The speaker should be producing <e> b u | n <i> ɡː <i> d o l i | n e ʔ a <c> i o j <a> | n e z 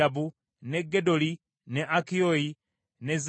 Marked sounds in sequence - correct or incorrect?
incorrect, incorrect, incorrect, incorrect, incorrect

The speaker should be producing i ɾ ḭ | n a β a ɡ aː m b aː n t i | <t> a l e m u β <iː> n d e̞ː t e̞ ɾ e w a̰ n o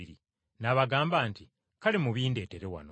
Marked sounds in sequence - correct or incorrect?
incorrect, correct

